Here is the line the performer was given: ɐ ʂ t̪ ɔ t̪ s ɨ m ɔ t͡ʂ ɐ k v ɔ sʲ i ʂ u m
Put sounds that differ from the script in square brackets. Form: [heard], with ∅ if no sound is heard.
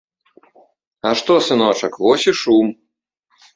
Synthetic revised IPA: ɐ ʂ t̪ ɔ [∅] s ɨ [n] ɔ t͡ʂ ɐ k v ɔ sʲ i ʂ u m

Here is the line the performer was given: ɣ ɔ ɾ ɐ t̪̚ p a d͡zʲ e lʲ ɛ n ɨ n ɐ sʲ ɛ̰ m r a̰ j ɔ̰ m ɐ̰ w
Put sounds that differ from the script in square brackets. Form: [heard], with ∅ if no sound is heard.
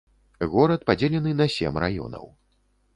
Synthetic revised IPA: ɣ ɔ ɾ ɐ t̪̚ p a d͡zʲ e lʲ ɛ n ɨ n ɐ sʲ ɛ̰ m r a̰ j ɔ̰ [n] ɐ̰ w

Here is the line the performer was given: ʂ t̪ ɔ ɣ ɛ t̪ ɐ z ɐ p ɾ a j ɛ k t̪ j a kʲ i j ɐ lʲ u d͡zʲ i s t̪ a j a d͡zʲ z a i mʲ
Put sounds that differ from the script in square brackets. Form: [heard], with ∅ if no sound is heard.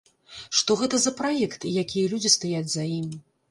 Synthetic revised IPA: ʂ t̪ ɔ ɣ ɛ t̪ ɐ z ɐ p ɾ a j ɛ k t̪ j a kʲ i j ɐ lʲ u d͡zʲ i s t̪ a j a d͡zʲ z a i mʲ

